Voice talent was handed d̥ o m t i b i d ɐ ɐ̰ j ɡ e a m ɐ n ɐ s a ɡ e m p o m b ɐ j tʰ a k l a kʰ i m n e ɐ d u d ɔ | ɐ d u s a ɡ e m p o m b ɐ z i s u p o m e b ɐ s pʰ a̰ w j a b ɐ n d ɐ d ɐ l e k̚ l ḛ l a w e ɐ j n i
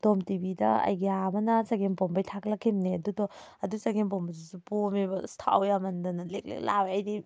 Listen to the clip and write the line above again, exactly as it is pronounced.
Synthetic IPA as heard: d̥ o m t i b i d ɐ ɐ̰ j ɡ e a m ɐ n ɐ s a ɡ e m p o m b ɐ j tʰ a k l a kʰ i m n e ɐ d u d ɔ | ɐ d u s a ɡ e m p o m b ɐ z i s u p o m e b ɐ s tʰ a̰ w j a m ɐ n d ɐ n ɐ l e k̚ l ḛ l a w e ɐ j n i